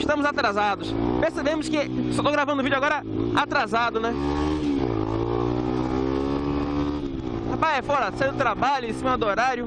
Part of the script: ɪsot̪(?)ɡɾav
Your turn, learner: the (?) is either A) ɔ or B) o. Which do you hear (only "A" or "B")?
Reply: B